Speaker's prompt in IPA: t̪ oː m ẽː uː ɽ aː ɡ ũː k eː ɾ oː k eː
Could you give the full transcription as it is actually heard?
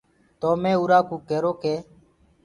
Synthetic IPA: t̪ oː m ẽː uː ɾ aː k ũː k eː ɾ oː k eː